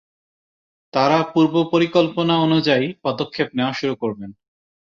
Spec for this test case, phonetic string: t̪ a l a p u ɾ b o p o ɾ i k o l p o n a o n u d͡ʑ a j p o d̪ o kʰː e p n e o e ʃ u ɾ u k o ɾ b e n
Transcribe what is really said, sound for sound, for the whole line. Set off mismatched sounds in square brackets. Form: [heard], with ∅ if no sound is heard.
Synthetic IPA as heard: t̪ a [ɾ] a p u ɾ b o p o ɾ i k o l p o n a o n u d͡ʑ a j p [ɔ] d̪ o kʰː e p n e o [a] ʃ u ɾ u k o ɾ b e n